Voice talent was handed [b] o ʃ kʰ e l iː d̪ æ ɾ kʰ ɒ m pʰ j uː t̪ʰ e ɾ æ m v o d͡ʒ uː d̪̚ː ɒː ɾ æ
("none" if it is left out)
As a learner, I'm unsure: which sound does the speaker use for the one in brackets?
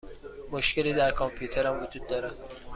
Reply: m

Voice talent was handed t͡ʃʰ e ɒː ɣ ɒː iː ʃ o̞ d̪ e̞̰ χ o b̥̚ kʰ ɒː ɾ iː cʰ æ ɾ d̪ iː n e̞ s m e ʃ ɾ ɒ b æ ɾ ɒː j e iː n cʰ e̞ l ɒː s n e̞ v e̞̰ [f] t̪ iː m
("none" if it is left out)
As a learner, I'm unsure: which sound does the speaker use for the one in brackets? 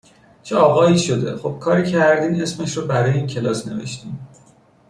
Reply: ʃ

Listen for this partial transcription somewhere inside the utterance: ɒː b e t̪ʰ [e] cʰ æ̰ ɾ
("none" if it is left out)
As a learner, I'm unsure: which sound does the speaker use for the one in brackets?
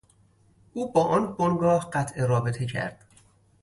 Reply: e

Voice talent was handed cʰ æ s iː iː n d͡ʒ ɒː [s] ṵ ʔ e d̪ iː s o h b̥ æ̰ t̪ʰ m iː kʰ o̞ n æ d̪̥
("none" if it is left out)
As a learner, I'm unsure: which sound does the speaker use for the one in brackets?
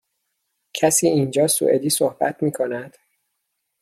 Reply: s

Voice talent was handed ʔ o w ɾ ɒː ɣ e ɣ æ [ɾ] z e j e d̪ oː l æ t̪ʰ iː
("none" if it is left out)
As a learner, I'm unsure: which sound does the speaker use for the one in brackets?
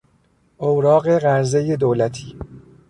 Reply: ɾ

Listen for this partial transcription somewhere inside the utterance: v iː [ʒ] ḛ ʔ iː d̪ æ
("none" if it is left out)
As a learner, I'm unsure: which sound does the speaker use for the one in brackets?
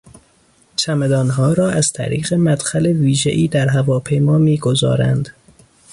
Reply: ʒ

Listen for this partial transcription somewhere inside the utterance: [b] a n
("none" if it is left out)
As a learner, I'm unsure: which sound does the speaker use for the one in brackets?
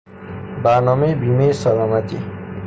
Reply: b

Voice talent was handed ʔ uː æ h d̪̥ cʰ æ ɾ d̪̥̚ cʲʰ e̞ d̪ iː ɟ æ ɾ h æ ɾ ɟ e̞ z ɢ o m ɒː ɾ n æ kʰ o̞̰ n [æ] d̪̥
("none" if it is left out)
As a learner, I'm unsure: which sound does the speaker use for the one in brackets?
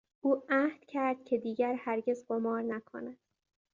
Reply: æ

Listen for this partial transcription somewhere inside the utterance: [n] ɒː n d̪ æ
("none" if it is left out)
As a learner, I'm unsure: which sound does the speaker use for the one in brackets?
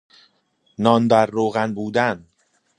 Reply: n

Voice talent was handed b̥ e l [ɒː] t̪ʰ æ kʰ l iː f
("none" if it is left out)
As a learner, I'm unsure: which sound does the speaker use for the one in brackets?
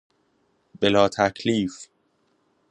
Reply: ɒː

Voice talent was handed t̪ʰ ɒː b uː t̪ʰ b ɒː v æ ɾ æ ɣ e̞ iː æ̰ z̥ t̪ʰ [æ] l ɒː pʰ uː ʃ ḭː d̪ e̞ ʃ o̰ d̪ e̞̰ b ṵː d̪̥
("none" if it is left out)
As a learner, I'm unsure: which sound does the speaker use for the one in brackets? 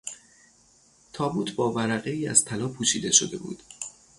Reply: æ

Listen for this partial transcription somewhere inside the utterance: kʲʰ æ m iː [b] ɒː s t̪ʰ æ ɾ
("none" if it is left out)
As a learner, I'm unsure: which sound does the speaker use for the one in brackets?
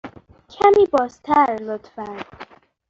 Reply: b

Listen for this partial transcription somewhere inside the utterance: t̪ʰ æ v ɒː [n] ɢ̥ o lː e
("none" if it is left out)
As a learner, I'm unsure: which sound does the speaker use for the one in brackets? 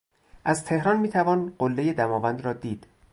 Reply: n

